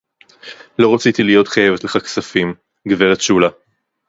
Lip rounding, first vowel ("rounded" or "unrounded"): rounded